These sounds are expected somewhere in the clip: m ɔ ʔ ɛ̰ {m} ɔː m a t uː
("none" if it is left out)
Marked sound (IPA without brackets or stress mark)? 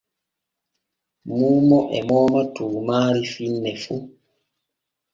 m